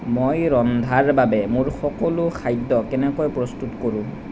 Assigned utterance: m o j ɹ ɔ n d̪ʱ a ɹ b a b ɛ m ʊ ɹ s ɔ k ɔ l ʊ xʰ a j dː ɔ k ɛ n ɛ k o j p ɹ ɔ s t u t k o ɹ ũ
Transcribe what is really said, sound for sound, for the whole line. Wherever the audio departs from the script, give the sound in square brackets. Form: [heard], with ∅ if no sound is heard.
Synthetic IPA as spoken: m o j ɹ ɔ n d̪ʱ a ɹ b a b ɛ m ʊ ɹ [x] ɔ k ɔ l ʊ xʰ a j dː ɔ k ɛ n ɛ k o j p ɹ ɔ s t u t k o ɹ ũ